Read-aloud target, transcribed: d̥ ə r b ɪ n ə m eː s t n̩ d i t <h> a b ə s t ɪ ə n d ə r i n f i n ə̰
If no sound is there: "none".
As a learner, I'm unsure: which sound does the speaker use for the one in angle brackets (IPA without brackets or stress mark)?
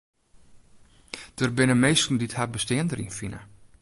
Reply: h